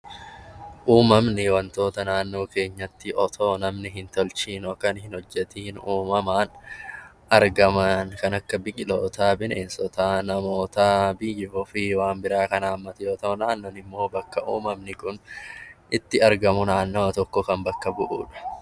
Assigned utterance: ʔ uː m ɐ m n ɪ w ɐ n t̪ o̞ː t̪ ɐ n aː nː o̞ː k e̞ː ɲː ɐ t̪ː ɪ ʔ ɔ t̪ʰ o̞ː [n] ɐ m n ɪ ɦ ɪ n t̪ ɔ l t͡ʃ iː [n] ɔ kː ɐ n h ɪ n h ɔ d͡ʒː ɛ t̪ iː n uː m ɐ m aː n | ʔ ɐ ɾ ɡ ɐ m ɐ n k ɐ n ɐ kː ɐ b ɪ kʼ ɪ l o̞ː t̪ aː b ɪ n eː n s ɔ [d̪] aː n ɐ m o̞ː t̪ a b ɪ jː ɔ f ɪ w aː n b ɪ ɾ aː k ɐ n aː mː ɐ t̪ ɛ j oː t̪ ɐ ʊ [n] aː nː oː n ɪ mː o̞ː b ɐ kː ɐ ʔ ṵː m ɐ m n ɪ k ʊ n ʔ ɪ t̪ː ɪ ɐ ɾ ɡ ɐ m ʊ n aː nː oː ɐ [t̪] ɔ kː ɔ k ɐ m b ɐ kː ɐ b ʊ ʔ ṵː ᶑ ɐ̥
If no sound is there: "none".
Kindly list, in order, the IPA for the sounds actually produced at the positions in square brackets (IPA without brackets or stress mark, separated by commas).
n, n, t̪, n, t̪